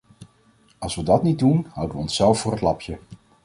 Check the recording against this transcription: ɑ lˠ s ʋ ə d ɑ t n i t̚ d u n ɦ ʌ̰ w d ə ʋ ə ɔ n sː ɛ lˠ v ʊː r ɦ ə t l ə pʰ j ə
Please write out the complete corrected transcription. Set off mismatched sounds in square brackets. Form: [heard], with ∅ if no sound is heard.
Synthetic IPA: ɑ lˠ s ʋ ə d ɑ t n i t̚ d u n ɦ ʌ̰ w d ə ʋ ə ɔ n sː ɛ lˠ [f] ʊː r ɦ ə t l [ɑ] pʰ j ə